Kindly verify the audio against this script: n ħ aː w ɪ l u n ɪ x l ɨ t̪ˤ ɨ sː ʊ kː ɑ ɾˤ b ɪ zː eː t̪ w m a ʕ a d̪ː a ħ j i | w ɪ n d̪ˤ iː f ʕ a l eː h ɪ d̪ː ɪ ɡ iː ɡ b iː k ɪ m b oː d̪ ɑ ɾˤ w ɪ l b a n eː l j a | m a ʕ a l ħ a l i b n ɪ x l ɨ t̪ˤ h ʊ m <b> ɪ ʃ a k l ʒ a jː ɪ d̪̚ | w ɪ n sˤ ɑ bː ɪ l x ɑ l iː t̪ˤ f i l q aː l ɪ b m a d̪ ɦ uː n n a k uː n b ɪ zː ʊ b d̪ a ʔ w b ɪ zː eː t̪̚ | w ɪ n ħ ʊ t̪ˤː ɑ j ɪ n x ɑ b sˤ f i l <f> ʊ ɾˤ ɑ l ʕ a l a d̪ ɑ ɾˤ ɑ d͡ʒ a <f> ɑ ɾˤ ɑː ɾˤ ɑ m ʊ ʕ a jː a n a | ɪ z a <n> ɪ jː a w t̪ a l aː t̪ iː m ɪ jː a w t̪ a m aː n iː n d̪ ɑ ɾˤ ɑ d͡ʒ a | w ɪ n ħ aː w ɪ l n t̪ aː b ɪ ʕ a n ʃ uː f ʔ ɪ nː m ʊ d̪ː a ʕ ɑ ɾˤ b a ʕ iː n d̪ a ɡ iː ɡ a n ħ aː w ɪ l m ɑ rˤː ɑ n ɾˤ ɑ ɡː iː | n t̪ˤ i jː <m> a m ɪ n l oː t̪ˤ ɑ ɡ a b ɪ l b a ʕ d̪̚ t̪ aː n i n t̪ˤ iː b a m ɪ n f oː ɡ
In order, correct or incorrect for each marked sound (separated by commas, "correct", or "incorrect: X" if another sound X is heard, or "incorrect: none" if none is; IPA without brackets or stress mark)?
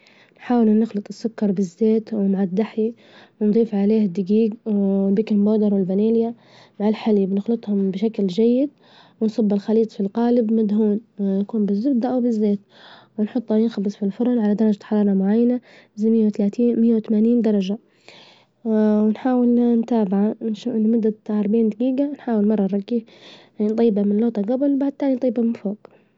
correct, correct, incorrect: ħ, incorrect: m, incorrect: b